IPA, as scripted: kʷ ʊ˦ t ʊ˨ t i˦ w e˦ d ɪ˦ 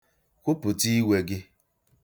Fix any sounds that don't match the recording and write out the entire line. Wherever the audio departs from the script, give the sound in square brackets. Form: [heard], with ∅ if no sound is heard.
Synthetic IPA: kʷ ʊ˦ [p] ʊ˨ t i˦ w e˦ [ɡ] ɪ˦